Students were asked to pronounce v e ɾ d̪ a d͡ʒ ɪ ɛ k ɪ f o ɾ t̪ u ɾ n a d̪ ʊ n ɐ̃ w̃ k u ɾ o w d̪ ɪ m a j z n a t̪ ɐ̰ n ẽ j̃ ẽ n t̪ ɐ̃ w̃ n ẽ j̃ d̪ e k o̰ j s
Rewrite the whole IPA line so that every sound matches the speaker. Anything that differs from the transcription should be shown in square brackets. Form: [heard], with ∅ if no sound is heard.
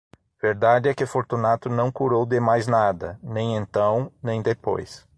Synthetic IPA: v e ɾ d̪ a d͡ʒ ɪ ɛ k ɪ f o ɾ t̪ u [∅] n a [t̪] ʊ n ɐ̃ w̃ k u ɾ o w d̪ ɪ m a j z n a [d̪] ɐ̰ n ẽ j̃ ẽ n t̪ ɐ̃ w̃ n ẽ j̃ d̪ e [p] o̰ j s

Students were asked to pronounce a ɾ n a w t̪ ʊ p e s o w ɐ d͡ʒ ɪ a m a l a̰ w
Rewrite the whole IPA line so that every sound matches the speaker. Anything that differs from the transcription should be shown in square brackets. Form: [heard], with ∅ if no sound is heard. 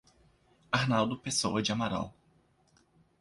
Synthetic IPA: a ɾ n a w [d̪] ʊ p e s o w ɐ d͡ʒ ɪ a m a [ɾ] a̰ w

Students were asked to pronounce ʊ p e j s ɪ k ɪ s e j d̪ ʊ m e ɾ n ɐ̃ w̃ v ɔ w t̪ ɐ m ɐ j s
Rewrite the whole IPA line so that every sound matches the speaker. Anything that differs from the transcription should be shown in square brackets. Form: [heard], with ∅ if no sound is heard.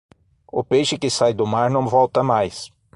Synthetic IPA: ʊ p e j [ʃ] ɪ k ɪ s [a] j d̪ ʊ m [a] ɾ n ɐ̃ w̃ v ɔ w t̪ ɐ m [a] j s

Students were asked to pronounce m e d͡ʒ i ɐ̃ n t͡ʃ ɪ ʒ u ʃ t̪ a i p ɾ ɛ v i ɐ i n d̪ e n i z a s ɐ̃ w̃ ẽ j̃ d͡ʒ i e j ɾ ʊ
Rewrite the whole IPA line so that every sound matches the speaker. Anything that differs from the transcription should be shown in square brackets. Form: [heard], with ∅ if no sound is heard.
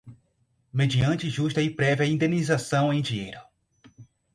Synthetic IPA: m e d͡ʒ i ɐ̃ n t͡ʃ ɪ ʒ u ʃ t̪ [ɐ] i p ɾ ɛ v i ɐ [ĩ] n d̪ e n i z a s ɐ̃ w̃ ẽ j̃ d͡ʒ i e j ɾ ʊ

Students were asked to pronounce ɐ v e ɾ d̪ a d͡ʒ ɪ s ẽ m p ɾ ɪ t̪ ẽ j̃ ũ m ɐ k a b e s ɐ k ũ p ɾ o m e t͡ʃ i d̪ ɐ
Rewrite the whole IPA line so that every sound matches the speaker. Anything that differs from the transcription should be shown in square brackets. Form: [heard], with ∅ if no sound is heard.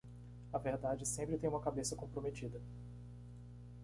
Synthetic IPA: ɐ v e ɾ d̪ a d͡ʒ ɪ s ẽ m p ɾ ɪ t̪ ẽ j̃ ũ m ɐ k a b e s ɐ k [õ] p ɾ o m e t͡ʃ i d̪ ɐ

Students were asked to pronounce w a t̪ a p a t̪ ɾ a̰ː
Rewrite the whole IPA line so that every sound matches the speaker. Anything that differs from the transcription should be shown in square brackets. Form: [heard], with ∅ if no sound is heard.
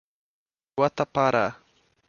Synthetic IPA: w a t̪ a p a [∅] ɾ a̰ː

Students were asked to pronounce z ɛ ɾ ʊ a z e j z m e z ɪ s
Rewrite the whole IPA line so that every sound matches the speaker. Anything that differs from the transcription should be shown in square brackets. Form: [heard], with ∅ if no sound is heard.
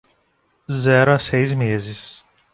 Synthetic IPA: z ɛ ɾ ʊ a [s] e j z m e z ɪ s

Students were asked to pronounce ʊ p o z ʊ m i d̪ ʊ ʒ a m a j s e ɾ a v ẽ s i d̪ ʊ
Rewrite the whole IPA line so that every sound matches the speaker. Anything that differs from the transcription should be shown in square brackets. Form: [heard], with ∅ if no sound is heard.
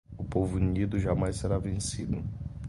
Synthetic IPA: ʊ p o [v] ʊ [n] i d̪ ʊ ʒ a m a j s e ɾ a v ẽ s i d̪ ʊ

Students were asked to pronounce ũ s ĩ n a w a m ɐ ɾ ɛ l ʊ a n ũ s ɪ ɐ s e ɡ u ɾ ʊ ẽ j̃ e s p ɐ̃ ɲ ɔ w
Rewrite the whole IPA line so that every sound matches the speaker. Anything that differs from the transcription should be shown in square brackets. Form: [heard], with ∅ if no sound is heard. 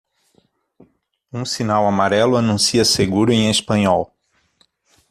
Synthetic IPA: ũ s [i] n a w a m [a] ɾ ɛ l ʊ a n ũ s [i] ɐ s e ɡ u ɾ ʊ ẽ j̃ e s p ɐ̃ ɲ ɔ w

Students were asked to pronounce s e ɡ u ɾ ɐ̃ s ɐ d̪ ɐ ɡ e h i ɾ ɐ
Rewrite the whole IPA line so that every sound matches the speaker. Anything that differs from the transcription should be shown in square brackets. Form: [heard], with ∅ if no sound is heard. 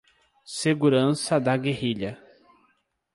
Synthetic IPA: s e ɡ u ɾ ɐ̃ s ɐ d̪ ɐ ɡ e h i [ʎ] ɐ

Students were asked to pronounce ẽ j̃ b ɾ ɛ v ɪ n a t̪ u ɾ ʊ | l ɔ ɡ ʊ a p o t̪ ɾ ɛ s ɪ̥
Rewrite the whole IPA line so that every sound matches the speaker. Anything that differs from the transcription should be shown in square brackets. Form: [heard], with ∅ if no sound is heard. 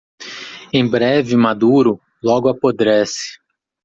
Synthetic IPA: ẽ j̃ b ɾ ɛ v ɪ [m] a [d̪] u ɾ ʊ | l ɔ ɡ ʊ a p o [d̪] ɾ ɛ s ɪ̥

